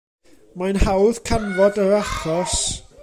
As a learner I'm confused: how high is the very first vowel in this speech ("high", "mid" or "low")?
low